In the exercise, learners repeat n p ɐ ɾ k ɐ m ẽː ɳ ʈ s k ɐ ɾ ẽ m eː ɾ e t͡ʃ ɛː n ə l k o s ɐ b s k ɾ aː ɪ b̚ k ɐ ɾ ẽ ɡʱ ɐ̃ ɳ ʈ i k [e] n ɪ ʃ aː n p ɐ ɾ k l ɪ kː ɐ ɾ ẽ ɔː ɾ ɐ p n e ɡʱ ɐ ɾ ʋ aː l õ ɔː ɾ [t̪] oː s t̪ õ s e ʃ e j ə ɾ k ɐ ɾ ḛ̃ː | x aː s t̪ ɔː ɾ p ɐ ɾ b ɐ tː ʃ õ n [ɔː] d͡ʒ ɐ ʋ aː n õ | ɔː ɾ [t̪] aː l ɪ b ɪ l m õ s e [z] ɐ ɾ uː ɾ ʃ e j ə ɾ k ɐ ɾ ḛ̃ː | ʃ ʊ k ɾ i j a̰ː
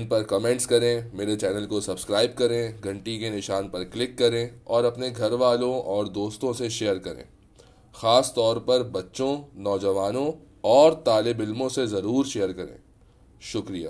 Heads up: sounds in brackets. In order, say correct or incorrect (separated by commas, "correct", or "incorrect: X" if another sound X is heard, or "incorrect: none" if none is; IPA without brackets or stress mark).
correct, incorrect: d̪, correct, correct, correct